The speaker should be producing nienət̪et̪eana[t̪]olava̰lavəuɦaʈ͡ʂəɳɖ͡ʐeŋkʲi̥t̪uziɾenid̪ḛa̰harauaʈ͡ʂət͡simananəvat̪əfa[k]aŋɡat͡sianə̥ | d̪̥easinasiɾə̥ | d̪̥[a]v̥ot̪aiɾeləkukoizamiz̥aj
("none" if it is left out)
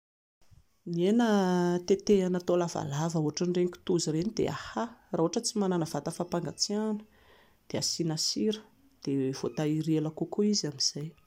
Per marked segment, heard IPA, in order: t̪, p, e

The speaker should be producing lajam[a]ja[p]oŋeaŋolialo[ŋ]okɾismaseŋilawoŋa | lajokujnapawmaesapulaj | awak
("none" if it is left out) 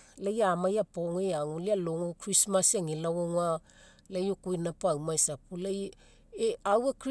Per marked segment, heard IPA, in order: a, p, ŋ

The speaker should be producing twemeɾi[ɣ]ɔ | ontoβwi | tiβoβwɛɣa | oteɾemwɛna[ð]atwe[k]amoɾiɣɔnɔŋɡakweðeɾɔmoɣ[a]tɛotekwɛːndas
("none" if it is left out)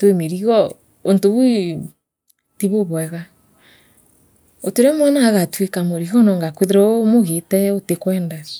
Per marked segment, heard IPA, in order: ɣ, ɣ, k, e

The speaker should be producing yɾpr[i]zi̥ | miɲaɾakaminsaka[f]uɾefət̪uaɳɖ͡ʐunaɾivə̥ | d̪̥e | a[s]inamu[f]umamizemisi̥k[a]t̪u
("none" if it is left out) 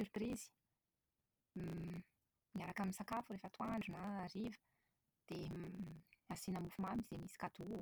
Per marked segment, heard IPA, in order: i, f, s, f, a

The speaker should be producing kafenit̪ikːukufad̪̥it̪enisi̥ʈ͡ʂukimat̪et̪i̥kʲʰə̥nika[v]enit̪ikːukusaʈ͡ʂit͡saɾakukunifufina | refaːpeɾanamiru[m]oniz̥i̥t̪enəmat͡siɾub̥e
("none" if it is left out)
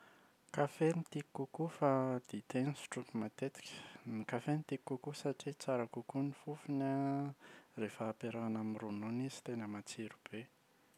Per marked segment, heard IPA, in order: f, n

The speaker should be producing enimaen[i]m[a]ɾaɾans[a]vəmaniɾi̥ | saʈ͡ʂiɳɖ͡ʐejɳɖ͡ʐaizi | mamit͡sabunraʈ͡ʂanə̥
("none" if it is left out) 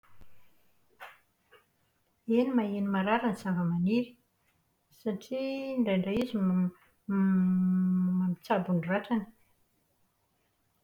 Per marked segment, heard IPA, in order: i, a, a

